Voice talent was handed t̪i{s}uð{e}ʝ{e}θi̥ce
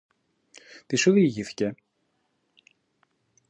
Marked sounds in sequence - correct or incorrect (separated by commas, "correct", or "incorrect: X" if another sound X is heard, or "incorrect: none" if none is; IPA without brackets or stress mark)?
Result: correct, incorrect: i, incorrect: i